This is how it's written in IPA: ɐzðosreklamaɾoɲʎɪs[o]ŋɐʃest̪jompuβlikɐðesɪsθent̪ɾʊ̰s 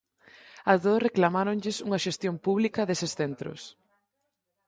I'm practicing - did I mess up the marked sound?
yes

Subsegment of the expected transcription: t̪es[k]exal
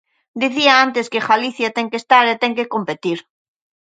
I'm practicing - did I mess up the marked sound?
no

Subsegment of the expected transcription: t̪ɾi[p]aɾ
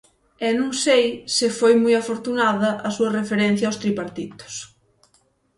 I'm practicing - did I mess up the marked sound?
no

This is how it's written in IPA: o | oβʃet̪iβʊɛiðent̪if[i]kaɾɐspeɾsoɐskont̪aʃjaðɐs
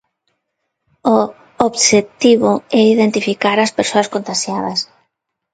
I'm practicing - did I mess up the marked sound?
no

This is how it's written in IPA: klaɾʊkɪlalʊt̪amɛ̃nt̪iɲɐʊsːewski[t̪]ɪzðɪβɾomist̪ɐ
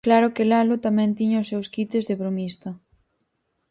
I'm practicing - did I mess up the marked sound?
no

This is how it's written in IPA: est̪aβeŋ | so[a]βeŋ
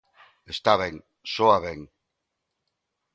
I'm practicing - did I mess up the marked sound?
no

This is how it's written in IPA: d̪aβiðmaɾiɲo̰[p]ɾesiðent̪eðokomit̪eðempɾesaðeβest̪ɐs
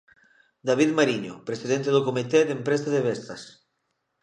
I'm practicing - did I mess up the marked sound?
no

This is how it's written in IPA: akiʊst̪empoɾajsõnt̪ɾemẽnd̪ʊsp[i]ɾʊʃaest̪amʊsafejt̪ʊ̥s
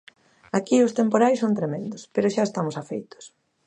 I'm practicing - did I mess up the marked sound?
yes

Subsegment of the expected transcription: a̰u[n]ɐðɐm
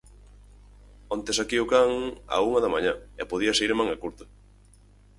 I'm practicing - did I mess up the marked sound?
yes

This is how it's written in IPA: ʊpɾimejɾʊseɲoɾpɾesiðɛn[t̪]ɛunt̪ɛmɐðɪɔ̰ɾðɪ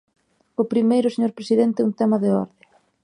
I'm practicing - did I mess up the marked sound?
no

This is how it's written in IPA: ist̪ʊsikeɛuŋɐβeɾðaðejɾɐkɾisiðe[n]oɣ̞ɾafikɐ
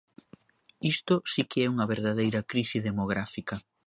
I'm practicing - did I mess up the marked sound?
yes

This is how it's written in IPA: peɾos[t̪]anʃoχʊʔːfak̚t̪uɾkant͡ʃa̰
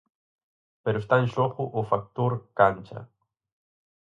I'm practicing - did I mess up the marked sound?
no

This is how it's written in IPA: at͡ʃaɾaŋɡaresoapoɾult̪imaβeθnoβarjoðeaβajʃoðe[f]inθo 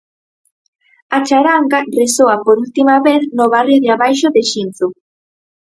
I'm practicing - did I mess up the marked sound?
yes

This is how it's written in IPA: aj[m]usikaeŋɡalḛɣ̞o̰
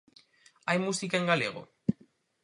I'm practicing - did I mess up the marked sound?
no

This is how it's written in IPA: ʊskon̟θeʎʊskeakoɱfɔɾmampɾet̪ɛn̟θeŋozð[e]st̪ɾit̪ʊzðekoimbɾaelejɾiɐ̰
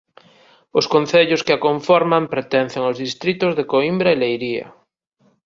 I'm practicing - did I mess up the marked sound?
yes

